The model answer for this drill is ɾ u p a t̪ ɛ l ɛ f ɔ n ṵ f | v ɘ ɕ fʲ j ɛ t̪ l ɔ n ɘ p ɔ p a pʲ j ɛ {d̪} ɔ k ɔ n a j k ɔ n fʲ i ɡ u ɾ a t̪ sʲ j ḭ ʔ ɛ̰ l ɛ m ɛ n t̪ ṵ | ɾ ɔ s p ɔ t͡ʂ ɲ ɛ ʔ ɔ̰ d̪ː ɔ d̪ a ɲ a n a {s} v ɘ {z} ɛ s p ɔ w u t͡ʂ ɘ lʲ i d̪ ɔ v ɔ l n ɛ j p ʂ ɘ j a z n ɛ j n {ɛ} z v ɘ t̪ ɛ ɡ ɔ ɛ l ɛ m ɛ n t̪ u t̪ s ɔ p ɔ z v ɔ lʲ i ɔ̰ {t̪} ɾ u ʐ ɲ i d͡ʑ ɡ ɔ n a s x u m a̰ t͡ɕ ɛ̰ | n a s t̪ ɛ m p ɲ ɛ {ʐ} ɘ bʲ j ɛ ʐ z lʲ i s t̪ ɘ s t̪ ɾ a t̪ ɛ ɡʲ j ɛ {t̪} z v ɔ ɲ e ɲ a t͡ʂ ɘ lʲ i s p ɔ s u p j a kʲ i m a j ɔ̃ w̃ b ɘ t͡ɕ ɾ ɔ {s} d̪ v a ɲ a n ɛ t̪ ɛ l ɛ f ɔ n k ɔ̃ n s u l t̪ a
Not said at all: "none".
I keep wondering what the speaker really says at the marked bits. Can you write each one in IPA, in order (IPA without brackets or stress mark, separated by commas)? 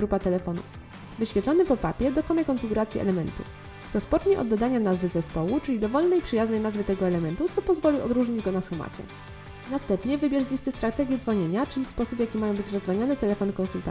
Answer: d̪, z, z, a, d̪, v, d̪, z